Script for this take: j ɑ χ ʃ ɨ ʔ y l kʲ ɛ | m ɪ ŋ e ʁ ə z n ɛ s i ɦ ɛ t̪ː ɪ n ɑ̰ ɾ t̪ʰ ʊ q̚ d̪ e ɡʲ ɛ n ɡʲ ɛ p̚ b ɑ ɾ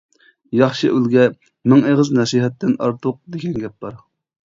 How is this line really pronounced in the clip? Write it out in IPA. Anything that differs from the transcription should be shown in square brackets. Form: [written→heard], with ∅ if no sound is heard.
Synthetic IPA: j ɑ χ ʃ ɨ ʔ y l [kʲ→ɡʲ] ɛ | m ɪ ŋ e ʁ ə z n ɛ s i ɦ ɛ t̪ː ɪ n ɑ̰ ɾ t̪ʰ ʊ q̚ d̪ e ɡʲ ɛ n ɡʲ ɛ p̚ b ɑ ɾ